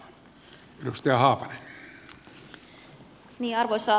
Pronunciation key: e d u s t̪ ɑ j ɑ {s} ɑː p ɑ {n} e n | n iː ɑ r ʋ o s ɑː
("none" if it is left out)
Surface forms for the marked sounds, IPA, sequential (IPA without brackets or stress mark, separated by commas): h, n